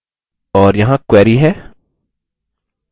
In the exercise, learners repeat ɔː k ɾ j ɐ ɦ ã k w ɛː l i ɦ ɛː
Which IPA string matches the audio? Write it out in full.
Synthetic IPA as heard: ɔː ɾ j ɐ ɦ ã k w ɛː ɾ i ɦ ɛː